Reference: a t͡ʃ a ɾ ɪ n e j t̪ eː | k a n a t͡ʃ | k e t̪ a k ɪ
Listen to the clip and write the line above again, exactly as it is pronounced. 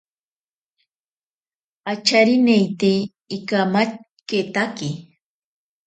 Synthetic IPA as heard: a t͡ʃ a ɾ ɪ n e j t̪ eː | k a m a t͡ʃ | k e t̪ a k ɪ